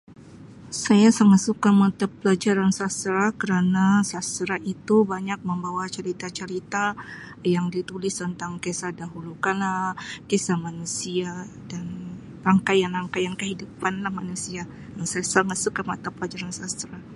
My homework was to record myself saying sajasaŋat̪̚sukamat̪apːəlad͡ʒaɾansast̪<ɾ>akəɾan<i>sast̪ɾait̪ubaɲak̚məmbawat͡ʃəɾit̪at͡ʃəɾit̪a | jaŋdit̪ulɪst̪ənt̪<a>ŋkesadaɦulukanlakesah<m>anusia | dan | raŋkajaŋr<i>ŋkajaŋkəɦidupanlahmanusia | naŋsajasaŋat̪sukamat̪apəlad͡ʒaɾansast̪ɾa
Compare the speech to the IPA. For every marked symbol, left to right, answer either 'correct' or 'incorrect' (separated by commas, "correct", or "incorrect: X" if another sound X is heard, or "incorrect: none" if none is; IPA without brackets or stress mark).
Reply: correct, incorrect: a, correct, correct, incorrect: a